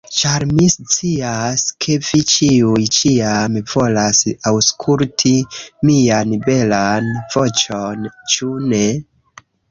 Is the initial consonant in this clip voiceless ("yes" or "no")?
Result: yes